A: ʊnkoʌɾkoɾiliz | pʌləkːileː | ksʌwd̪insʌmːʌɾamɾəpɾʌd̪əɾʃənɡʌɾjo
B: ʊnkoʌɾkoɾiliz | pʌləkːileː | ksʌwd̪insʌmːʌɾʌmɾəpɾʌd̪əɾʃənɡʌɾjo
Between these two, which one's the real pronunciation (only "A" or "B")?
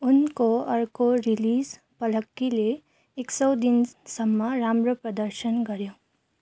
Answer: A